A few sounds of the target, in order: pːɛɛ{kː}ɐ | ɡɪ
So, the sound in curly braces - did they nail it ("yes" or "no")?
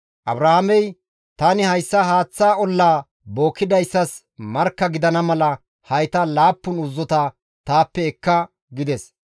yes